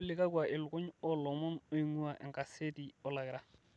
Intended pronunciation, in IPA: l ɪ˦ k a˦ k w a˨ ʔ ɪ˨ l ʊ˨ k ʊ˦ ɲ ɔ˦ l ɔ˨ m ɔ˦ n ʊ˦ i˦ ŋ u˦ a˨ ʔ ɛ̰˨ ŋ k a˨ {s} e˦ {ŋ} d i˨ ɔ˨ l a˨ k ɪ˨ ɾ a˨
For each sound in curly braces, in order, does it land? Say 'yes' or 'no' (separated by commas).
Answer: yes, no